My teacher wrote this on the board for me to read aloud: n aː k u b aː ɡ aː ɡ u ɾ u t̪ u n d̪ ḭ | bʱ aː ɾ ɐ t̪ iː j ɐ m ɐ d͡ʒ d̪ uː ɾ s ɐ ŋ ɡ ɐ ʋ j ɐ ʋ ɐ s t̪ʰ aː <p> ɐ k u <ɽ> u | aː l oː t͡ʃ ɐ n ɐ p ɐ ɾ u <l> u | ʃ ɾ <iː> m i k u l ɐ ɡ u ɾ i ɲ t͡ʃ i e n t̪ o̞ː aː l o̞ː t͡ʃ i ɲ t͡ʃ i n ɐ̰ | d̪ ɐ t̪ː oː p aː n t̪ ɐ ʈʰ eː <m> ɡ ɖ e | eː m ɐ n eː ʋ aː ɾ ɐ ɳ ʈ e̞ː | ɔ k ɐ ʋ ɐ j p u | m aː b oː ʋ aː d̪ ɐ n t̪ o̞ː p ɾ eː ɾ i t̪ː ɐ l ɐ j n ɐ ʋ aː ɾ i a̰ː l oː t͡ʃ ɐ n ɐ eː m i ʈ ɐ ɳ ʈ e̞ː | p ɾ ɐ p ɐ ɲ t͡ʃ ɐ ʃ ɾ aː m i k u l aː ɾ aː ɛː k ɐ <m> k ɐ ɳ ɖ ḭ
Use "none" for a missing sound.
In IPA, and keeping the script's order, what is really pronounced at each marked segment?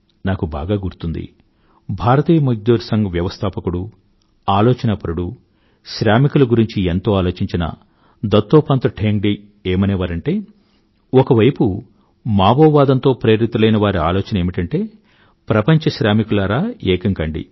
p, ɽ, ɽ, aː, ŋ, ŋ

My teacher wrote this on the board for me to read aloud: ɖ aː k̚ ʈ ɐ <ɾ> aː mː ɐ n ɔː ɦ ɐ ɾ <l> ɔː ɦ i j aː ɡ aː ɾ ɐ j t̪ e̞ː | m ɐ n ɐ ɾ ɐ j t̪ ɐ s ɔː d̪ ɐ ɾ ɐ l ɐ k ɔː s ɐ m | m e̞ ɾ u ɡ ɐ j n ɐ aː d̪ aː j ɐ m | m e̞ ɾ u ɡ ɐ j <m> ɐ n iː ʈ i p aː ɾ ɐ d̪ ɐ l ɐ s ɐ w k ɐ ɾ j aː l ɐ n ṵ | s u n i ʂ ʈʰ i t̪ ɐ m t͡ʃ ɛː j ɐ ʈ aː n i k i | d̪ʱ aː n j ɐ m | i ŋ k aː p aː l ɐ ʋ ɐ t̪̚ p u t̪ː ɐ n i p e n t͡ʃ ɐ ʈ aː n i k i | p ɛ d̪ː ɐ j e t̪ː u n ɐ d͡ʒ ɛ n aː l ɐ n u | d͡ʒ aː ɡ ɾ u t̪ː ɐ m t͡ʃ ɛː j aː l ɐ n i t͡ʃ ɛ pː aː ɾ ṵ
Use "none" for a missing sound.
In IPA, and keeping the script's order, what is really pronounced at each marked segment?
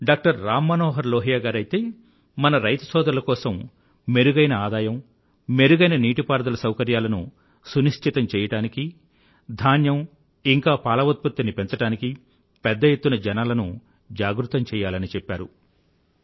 ɾː, l, n

